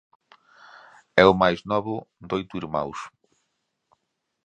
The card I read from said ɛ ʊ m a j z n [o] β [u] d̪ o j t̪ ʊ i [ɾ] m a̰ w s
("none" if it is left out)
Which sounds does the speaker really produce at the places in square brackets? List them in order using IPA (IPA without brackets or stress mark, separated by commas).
ɔ, ʊ, ɾ